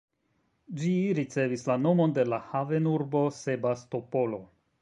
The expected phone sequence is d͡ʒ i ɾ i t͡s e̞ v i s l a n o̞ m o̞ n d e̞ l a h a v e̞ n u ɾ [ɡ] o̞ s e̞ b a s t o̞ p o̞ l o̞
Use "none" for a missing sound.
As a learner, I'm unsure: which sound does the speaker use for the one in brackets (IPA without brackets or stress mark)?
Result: b